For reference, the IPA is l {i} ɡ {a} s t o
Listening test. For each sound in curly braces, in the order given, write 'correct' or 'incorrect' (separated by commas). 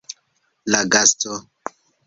incorrect, correct